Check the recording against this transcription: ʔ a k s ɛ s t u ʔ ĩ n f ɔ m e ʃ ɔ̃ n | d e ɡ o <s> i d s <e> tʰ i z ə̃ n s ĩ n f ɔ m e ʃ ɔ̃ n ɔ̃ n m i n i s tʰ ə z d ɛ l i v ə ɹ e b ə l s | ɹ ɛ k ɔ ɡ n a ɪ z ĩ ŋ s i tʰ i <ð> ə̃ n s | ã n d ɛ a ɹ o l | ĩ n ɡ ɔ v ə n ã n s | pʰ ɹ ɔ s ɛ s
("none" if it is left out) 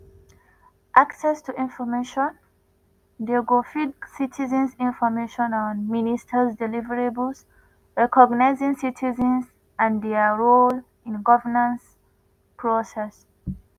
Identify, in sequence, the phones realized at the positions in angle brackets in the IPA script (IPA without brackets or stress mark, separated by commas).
f, i, z